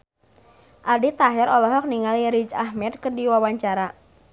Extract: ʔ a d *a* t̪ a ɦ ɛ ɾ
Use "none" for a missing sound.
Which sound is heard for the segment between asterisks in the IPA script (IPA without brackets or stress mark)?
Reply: i